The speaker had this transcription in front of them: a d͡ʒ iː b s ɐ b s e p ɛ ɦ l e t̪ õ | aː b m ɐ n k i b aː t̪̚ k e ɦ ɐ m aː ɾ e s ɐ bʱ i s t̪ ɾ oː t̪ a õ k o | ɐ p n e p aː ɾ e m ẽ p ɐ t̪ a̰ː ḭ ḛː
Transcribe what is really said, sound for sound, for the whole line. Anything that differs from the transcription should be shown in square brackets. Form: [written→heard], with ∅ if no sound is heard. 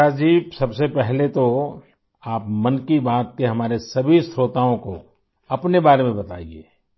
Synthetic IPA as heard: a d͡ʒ iː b s ɐ b s e p ɛ ɦ l e t̪ [õ→o] | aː [b→p] m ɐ n k i b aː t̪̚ k e ɦ ɐ m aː ɾ e s ɐ bʱ i s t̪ ɾ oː t̪ a õ k o | ɐ p n e [p→b] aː ɾ e m ẽ [p→b] ɐ t̪ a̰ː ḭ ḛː